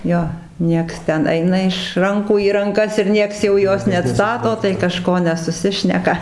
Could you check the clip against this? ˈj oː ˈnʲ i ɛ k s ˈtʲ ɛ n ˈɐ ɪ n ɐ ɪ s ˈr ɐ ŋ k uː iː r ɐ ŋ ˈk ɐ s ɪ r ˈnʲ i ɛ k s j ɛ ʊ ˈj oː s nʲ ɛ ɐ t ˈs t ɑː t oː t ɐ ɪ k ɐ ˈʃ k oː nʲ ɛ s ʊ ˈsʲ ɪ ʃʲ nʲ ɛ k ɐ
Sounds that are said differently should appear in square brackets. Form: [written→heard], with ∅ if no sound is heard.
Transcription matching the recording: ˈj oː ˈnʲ i ɛ k s ˈtʲ ɛ n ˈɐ ɪ n ɐ ɪ [s→ʃ] ˈr ɐ ŋ k uː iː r ɐ ŋ ˈk ɐ s ɪ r ˈnʲ i ɛ k s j ɛ ʊ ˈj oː s nʲ ɛ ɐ t ˈs t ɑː t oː t ɐ ɪ k ɐ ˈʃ k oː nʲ ɛ s ʊ ˈsʲ ɪ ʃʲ nʲ ɛ k ɐ